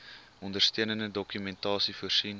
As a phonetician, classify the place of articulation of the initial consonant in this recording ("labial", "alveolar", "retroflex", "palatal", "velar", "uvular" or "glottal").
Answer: alveolar